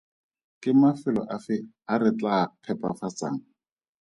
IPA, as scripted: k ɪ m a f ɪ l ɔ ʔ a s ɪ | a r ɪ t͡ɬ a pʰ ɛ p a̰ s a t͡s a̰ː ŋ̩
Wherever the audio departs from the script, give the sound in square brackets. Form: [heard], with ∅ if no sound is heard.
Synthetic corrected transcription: k ɪ m a f ɪ l ɔ ʔ a [f] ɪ | a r ɪ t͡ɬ a pʰ ɛ p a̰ [f] a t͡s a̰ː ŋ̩